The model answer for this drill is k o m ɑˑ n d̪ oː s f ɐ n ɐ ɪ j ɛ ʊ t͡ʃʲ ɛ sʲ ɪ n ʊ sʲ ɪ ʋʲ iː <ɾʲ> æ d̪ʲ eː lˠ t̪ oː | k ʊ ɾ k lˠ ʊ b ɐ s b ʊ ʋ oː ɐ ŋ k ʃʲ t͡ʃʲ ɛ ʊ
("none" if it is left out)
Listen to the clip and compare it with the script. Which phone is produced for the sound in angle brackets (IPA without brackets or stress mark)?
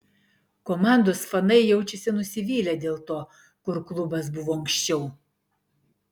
lʲ